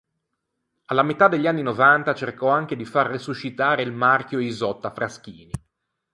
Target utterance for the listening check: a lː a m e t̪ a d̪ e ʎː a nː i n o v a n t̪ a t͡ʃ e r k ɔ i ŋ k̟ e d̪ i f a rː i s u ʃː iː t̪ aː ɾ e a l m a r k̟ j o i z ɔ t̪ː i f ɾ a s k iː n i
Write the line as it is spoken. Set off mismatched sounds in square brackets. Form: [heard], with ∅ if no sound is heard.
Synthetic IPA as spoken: a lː a m e t̪ a d̪ e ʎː a nː i n o v a n t̪ a t͡ʃ e r k ɔ [a] ŋ k̟ e d̪ i f a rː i s u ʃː [i] t̪ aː ɾ e [i] l m a r k̟ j o i z ɔ t̪ː [a] f ɾ a s k iː n i